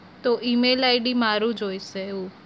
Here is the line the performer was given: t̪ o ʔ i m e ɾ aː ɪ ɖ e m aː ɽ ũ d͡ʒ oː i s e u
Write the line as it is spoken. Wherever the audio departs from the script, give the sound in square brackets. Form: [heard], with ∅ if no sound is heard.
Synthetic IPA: t̪ o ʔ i m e [l] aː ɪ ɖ [i] m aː [ɾ] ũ d͡ʒ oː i s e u